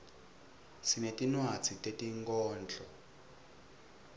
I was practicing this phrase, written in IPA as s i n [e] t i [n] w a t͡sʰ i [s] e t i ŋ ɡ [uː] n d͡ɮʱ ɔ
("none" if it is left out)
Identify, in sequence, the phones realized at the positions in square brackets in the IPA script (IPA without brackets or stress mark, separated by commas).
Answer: e, n, t, ɔː